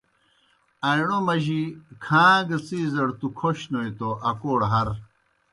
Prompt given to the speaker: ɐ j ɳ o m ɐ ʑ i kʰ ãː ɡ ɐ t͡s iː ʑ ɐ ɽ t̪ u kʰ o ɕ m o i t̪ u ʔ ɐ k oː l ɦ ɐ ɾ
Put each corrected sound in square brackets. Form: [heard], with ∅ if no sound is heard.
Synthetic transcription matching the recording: ɐ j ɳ o m ɐ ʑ i kʰ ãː ɡ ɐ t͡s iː [z] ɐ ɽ t̪ u kʰ o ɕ [n] o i t̪ [o] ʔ ɐ k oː [ɽ] ɦ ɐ ɾ